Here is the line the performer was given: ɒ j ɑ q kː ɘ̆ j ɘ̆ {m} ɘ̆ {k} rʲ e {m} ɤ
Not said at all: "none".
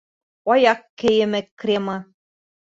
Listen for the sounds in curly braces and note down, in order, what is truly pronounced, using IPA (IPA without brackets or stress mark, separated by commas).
m, k, m